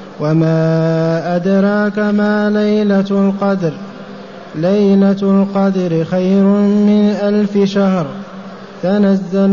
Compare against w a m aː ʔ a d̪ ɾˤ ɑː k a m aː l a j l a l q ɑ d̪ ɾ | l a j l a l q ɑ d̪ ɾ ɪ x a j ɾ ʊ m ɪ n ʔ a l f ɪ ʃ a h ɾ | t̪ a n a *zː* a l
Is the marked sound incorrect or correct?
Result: correct